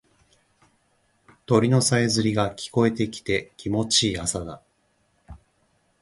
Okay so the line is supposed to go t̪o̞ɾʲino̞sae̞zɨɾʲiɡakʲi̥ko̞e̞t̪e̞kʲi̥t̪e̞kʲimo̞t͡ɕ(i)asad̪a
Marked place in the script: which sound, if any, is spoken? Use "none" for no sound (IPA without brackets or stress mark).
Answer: iː